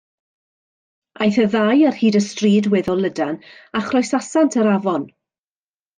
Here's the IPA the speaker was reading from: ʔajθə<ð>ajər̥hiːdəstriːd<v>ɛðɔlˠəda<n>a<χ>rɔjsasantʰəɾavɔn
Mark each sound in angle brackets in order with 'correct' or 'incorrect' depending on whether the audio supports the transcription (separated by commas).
correct, incorrect, correct, correct